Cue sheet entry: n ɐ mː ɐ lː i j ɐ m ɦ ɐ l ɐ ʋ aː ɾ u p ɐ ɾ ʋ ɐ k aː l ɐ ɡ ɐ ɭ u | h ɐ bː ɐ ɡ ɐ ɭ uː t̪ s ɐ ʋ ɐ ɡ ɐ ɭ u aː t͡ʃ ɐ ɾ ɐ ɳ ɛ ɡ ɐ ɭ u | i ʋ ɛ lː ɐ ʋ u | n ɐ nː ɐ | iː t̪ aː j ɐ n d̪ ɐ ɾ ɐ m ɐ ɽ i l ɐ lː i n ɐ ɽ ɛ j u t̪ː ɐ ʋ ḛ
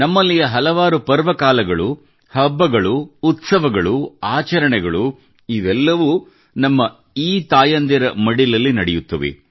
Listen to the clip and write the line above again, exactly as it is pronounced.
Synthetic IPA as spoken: n ɐ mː ɐ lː i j ɐ ɦ ɐ l ɐ ʋ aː ɾ u p ɐ ɾ ʋ ɐ k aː l ɐ ɡ ɐ ɭ u | h ɐ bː ɐ ɡ ɐ ɭ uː t̪ s ɐ ʋ ɐ ɡ ɐ ɭ u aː t͡ʃ ɐ ɾ ɐ ɳ ɛ ɡ ɐ ɭ u | i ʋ ɛ lː ɐ ʋ u | n ɐ mː ɐ | iː t̪ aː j ɐ n d̪ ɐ ɾ ɐ m ɐ ɽ i l ɐ lː i n ɐ ɽ ɛ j u t̪ː ɐ ʋ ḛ